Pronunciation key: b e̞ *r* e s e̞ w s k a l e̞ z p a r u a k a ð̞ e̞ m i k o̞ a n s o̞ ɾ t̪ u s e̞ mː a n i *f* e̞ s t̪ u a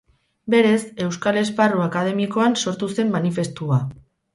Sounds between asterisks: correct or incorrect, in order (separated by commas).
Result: incorrect, correct